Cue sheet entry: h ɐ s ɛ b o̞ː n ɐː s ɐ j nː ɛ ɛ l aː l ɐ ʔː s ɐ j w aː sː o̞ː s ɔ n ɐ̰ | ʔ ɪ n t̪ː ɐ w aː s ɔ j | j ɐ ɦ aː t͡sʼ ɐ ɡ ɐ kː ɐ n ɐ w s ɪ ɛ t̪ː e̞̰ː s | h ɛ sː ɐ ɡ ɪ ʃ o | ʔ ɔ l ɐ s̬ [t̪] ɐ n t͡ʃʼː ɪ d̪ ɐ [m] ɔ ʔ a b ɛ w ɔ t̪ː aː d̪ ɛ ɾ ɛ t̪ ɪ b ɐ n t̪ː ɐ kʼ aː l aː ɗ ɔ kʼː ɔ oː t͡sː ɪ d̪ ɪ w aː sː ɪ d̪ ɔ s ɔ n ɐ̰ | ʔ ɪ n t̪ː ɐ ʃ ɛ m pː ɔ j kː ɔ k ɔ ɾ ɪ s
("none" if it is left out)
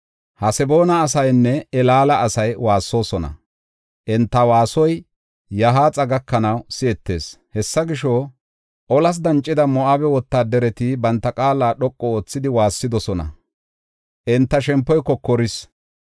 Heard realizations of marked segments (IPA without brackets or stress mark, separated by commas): d̪, m